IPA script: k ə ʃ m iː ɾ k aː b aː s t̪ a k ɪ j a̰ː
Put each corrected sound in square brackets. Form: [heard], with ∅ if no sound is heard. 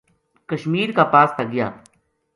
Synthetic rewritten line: k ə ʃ m iː ɾ k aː [p] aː s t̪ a [ɡ] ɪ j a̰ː

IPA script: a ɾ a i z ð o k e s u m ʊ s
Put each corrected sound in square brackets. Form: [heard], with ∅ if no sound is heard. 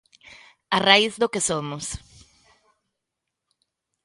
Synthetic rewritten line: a [r] a i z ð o k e s [o] m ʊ s

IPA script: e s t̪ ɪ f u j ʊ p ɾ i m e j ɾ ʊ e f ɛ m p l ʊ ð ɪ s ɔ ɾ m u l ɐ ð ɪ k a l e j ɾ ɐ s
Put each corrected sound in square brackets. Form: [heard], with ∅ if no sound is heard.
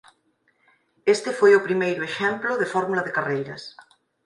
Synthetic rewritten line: e s t̪ ɪ f [o] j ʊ p ɾ i m e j ɾ ʊ e [ʃ] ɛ m p l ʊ ð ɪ [f] ɔ ɾ m u l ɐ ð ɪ k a [r] e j ɾ ɐ s

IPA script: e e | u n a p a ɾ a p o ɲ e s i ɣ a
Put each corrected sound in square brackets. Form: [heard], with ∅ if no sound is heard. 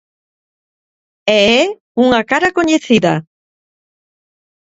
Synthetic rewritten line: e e | u [ŋ] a [k] a ɾ a [k] o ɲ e [θ] i [ð] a

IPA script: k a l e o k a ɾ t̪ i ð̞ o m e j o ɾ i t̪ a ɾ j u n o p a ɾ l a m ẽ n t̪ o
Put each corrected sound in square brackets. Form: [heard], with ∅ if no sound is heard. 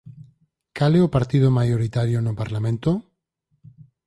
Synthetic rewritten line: k a l e o [p] a ɾ t̪ i ð̞ o m [a] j o ɾ i t̪ a ɾ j [o] n o p a ɾ l a m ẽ n t̪ o

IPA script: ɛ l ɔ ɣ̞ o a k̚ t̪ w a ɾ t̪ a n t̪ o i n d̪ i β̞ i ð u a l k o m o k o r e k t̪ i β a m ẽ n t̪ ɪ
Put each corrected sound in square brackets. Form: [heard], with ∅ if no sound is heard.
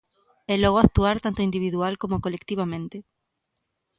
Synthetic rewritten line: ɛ l ɔ ɣ̞ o a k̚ t̪ [u] a ɾ t̪ a n t̪ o i n d̪ i β̞ i ð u a l k o m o k o [l] e k t̪ i β a m ẽ n t̪ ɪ

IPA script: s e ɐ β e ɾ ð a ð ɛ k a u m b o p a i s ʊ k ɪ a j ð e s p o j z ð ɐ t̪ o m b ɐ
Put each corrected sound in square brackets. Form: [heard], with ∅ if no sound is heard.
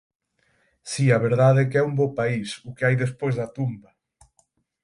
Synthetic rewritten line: s [i] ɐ β e ɾ ð a ð ɛ k [ɛ] u m b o p a i s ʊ k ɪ a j ð e s p o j z ð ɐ t̪ [u] m b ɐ

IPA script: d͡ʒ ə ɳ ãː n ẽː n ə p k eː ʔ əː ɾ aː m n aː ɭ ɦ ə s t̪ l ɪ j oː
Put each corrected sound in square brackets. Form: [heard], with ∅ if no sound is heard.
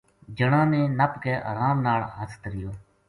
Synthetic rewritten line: d͡ʒ ə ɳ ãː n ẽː n ə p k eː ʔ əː ɾ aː m n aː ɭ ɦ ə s t̪ [ɾ] ɪ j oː

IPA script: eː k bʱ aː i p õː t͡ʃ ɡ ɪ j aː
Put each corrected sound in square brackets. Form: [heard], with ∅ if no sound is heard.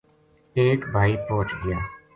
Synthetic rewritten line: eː k bʱ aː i p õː t͡ʃ ɡ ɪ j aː

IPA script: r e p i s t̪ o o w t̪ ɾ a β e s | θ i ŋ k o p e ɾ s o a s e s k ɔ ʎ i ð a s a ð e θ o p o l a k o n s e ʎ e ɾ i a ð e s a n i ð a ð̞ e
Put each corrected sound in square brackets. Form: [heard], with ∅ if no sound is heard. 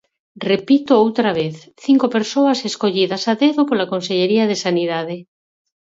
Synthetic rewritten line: r e p i [∅] t̪ o o w t̪ ɾ a β e [θ] | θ i ŋ k o p e ɾ s o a s e s k [o] ʎ i ð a s a ð e [ð] o p o l a k o n s e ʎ e ɾ i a ð e s a n i ð a ð̞ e

